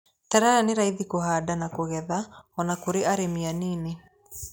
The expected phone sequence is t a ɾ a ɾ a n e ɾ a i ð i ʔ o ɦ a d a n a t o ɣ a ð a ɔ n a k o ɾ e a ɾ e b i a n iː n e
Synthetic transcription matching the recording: t a ɾ a ɾ a n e ɾ a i ð i k o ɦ a d a n a k o ɣ ɛ ð a ɔ n a k o ɾ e a ɾ e m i a n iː n e